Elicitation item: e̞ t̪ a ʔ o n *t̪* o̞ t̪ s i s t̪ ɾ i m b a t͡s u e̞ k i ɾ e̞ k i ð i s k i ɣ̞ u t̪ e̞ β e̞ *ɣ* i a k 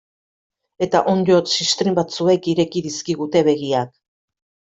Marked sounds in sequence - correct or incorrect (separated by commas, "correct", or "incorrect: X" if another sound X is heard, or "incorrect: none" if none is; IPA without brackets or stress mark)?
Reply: incorrect: d̪, correct